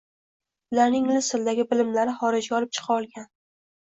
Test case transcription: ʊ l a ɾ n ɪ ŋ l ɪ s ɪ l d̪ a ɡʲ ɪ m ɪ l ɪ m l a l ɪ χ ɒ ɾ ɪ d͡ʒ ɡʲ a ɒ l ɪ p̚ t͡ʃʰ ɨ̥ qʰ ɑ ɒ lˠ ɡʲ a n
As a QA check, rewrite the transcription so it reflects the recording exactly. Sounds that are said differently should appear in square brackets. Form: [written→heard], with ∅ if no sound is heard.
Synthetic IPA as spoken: ʊ l a ɾ n ɪ ŋ l ɪ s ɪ l d̪ a ɡʲ ɪ [m→b] ɪ l ɪ m l a [l→ɾ] ɪ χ ɒ ɾ ɪ d͡ʒ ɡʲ a ɒ l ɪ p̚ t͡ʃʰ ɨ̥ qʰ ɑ ɒ lˠ ɡʲ a n